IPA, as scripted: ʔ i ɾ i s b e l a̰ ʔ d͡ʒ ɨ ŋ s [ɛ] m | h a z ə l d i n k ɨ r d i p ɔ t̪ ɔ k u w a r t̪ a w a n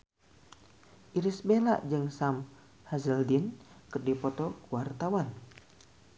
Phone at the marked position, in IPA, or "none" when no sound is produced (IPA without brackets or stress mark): a